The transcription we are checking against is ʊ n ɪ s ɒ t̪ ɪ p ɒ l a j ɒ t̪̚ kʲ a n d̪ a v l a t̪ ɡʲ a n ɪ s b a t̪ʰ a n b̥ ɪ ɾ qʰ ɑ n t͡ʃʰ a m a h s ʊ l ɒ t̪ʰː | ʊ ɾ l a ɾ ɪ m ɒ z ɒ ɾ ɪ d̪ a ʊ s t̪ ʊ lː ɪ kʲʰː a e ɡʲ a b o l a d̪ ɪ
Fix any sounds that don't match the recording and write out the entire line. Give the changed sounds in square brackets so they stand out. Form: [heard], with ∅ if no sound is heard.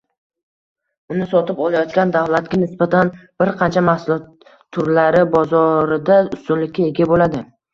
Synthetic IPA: ʊ n ɪ s ɒ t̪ ɪ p ɒ l a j ɒ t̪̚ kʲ a n d̪ a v l a t̪ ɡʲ a n ɪ s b a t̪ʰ a n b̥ ɪ ɾ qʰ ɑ n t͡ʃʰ a m a h s ʊ l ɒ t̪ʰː | ʊ ɾ l a ɾ ɪ [b] ɒ z ɒ ɾ ɪ d̪ a ʊ s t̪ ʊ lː ɪ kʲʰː a e ɡʲ a b o l a d̪ ɪ